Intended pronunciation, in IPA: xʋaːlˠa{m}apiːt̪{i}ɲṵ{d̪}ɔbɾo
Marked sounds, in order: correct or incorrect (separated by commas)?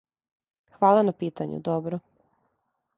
incorrect, incorrect, correct